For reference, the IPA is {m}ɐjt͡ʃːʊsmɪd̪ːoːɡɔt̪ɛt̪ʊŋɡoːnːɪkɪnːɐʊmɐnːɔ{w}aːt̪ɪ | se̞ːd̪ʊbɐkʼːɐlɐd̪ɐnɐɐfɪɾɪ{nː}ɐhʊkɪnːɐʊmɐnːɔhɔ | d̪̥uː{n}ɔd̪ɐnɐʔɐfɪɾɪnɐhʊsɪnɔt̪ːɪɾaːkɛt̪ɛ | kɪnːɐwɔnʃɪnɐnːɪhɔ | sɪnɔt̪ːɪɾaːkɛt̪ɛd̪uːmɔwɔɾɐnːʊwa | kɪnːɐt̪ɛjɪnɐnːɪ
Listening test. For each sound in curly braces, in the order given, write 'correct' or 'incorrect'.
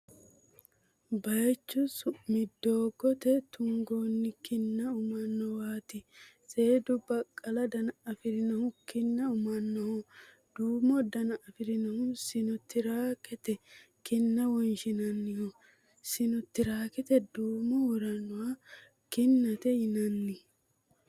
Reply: incorrect, correct, incorrect, incorrect

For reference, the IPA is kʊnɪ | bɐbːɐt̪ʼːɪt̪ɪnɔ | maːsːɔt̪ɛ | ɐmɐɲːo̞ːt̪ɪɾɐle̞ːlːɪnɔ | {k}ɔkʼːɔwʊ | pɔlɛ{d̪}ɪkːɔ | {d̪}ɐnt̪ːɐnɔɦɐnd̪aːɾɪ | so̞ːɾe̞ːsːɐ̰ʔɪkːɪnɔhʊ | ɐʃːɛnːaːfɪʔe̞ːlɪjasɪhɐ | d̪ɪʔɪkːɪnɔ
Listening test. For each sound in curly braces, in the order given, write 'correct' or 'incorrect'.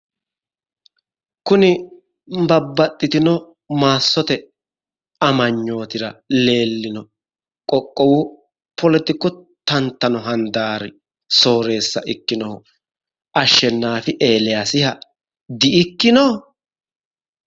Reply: incorrect, incorrect, incorrect

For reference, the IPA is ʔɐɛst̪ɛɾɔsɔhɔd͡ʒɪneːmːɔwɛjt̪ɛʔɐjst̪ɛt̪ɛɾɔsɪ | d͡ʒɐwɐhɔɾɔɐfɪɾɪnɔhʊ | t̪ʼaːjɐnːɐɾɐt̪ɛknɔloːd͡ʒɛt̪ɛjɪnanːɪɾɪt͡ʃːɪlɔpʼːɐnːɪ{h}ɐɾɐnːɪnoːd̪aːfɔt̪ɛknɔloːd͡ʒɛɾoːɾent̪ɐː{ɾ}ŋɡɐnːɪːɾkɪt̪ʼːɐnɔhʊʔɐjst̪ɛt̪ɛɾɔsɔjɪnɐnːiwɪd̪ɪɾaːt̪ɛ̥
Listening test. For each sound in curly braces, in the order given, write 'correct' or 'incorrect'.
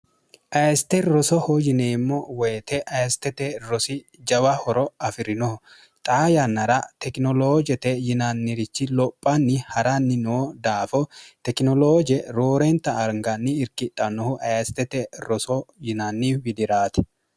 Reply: correct, correct

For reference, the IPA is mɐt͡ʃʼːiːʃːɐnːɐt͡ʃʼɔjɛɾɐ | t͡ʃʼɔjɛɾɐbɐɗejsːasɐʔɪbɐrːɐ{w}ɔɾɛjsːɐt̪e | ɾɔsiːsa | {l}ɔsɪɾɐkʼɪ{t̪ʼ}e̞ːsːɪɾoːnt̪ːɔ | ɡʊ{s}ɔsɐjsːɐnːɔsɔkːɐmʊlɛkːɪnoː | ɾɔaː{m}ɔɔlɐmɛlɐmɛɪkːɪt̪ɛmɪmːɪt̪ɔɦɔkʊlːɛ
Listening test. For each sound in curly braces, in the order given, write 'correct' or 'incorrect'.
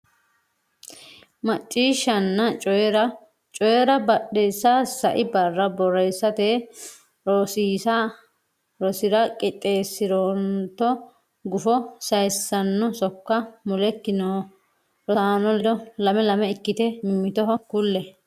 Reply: incorrect, incorrect, correct, incorrect, incorrect

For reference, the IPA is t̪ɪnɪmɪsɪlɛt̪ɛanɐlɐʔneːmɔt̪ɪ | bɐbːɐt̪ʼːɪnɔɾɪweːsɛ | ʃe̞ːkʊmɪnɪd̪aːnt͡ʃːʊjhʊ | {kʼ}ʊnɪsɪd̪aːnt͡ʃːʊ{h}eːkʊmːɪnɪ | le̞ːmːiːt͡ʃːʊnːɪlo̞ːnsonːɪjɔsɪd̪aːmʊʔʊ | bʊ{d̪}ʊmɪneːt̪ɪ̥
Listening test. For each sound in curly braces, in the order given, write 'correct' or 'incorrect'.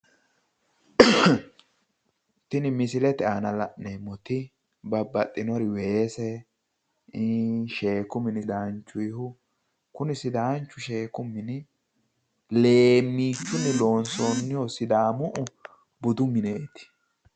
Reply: incorrect, incorrect, correct

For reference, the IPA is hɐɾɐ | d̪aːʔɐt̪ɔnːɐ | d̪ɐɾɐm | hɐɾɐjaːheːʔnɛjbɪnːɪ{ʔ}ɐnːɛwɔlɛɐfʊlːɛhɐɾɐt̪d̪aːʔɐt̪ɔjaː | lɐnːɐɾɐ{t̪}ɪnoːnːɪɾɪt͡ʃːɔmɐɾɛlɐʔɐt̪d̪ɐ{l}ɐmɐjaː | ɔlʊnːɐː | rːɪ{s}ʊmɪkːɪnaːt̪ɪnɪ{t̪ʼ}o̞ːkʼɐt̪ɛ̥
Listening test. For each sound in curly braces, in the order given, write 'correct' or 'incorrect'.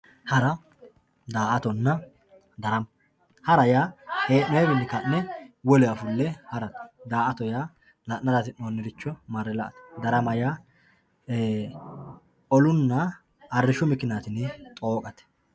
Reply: incorrect, correct, incorrect, incorrect, correct

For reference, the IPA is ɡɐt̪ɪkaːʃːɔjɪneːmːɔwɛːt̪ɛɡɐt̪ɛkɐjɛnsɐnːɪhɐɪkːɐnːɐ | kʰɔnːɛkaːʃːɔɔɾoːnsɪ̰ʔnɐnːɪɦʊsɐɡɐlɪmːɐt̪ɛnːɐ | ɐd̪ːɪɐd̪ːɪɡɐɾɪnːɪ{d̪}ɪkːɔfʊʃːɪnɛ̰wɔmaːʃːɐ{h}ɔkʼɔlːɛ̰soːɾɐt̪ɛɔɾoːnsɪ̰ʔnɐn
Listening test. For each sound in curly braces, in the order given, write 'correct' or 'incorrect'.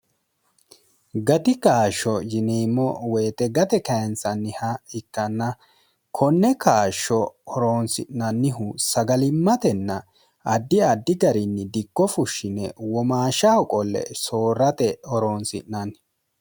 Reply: correct, correct

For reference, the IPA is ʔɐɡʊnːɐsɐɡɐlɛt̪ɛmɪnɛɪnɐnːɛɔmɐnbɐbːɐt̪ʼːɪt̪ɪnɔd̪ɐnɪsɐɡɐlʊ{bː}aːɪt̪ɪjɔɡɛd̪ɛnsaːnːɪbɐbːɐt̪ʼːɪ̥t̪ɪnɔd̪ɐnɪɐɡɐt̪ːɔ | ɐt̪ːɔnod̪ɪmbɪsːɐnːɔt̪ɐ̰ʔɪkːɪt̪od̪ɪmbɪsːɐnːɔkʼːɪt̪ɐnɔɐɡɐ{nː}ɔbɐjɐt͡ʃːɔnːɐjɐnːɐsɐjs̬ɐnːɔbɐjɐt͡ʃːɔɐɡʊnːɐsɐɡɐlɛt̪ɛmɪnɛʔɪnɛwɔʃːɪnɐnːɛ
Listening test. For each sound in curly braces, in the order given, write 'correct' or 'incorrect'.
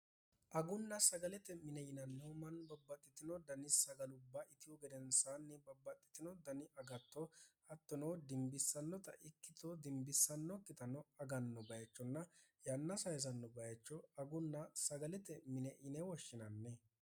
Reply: correct, correct

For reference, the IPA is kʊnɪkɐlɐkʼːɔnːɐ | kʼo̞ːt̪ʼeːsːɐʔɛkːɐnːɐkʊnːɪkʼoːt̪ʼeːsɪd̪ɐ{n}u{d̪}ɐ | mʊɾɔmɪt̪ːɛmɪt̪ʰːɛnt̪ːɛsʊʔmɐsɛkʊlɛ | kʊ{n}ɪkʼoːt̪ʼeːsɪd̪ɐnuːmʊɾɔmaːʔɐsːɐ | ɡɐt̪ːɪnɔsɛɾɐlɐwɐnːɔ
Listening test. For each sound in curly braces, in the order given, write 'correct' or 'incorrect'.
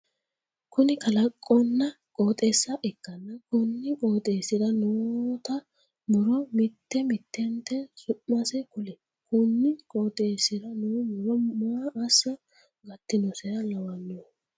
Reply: correct, incorrect, incorrect

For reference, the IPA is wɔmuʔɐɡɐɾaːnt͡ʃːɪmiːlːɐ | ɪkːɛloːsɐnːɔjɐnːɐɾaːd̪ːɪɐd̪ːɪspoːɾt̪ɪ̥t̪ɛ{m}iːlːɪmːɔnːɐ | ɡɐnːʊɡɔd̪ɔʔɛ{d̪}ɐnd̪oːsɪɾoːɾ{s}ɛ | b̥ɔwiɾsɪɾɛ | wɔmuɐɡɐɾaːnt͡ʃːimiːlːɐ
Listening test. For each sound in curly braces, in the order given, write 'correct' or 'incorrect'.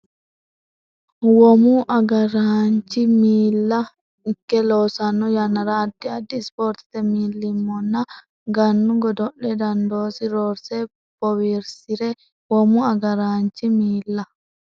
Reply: correct, correct, correct

